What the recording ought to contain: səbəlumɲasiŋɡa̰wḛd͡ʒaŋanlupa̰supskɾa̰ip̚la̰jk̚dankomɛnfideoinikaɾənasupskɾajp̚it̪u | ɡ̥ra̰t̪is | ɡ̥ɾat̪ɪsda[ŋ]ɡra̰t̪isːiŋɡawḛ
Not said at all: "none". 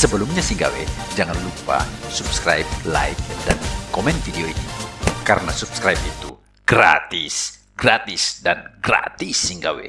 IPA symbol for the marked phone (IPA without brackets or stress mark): n